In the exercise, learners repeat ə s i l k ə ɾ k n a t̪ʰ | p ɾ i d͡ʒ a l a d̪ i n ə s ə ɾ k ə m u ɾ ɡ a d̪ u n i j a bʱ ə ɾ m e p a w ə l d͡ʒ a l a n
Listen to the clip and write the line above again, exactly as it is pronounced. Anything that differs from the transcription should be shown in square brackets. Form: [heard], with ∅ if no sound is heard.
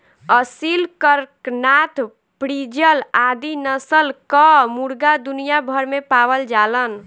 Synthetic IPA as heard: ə s i l k ə ɾ k n a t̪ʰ | p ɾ i d͡ʒ [ə] l a d̪ i n ə s ə [l] k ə m u ɾ ɡ a d̪ u n i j a bʱ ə ɾ m e p a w ə l d͡ʒ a l [ə] n

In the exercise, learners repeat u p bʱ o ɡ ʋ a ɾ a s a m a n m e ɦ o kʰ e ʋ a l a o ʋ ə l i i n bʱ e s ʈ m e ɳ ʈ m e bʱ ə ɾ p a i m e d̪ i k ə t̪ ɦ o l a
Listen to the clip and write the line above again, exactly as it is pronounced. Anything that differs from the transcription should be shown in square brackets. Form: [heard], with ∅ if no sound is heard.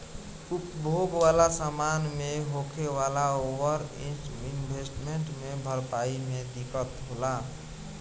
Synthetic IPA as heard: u p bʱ o ɡ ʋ a [l] a s a m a n m e ɦ o kʰ e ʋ a l a o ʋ ə [ɾ] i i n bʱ e s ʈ m e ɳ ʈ m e bʱ ə ɾ p a i m e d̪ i k ə t̪ ɦ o l a

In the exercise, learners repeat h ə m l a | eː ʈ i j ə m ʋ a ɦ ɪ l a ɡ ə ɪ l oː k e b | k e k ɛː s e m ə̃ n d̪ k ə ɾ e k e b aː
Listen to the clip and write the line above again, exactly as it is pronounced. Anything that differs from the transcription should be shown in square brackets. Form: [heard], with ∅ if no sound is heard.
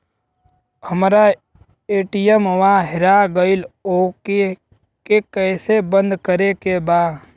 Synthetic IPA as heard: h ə m [ɾ] a | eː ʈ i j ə m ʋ a ɦ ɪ [ɾ] a ɡ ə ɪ l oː k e [∅] | k e k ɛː s e [b] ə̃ n d̪ k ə ɾ e k e b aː

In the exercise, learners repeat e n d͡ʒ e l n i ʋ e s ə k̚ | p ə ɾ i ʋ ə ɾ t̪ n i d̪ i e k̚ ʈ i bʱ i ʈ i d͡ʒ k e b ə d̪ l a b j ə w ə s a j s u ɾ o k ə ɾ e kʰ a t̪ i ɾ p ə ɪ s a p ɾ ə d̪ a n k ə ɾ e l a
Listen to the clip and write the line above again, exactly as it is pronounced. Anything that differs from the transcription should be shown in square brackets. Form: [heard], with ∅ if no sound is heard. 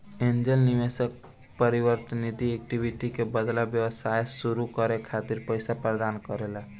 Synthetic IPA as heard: e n d͡ʒ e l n i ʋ e s ə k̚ | p ə ɾ i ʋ ə ɾ t̪ n i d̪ i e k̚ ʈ i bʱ i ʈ i [∅] k e b ə d̪ l a b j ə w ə s a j s u ɾ [u] k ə ɾ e kʰ a t̪ i ɾ p ə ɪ s a p ɾ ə d̪ a n k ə ɾ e l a

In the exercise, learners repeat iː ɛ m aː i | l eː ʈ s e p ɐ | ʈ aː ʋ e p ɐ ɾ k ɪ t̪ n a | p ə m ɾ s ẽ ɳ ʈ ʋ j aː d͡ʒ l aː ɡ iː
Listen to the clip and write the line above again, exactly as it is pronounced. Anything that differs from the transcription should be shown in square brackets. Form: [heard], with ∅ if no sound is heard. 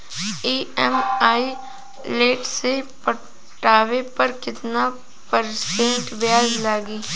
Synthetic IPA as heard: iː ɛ m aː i | l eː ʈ s e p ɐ | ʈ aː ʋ e p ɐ ɾ k ɪ t̪ n a | p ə [∅] ɾ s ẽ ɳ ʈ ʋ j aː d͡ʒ l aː ɡ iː

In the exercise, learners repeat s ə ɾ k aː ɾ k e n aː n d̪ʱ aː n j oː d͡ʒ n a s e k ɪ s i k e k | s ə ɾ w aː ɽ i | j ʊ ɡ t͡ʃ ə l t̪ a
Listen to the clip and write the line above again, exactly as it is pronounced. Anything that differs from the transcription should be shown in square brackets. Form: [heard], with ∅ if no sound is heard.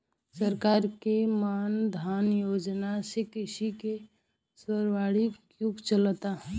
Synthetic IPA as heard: s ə ɾ k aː ɾ k e [m] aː n d̪ʱ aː n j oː d͡ʒ n a s e k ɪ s i k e [∅] | s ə ɾ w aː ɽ i | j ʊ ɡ t͡ʃ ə l t̪ a

